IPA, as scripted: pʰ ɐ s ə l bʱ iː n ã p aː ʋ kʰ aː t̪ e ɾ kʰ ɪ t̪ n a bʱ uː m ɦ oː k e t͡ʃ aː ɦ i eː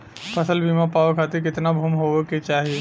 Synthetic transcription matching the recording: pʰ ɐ s ə l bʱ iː m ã p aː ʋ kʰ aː t̪ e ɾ k ɪ t̪ n a bʱ uː m ɦ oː k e t͡ʃ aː ɦ i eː